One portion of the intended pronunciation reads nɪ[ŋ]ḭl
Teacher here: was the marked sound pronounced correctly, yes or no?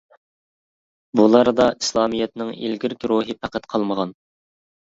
yes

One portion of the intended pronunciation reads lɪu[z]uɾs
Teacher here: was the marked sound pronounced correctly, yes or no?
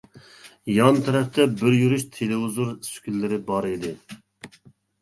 yes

